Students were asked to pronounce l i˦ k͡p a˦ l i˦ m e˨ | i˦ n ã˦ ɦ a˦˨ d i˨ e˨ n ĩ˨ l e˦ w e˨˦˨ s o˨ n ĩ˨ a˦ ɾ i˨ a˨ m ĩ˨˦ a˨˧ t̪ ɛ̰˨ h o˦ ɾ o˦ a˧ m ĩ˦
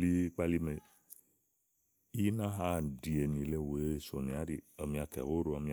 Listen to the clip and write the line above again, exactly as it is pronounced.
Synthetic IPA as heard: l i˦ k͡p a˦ l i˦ m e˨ | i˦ n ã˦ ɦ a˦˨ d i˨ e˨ n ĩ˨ l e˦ w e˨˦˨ s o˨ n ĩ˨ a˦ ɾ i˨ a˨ m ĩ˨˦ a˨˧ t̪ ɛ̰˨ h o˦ ɾ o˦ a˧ m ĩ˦